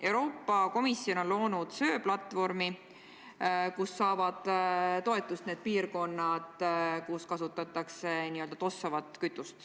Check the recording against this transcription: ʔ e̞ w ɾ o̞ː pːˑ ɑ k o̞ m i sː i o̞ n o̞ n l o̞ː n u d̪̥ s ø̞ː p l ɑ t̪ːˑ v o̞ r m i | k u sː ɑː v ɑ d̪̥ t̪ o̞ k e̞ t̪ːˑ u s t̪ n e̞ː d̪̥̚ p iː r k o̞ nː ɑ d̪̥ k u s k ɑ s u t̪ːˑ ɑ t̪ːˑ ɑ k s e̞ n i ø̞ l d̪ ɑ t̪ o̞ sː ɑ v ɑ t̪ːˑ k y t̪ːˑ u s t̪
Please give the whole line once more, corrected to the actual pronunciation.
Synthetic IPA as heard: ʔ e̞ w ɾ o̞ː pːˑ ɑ k o̞ m i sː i o̞ n o̞ n l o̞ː n u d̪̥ s ø̞ː p l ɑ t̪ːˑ v o̞ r m i | k u sː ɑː v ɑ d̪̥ t̪ o̞ e̞ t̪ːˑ u s t̪ n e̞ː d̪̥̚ p iː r k o̞ nː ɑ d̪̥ k u s k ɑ s u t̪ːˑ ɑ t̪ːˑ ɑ k s e̞ n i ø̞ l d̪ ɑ t̪ o̞ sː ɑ v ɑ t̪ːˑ k y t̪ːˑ u s t̪